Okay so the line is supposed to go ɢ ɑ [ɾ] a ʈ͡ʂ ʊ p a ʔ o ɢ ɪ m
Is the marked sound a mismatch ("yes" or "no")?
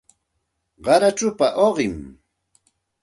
no